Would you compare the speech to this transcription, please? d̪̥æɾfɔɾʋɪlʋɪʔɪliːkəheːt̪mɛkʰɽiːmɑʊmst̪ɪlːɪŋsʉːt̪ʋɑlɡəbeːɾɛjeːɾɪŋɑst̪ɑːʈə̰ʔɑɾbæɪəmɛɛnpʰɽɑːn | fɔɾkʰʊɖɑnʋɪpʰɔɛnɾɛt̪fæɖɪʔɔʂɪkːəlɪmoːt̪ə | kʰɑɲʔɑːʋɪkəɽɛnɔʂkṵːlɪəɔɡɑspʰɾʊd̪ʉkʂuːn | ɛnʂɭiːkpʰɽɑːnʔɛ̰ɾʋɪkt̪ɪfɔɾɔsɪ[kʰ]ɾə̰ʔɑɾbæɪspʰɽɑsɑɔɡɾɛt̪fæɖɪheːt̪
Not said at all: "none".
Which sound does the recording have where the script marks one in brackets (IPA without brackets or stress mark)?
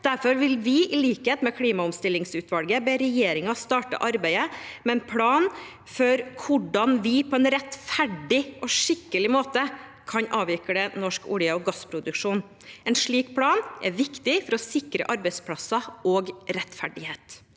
k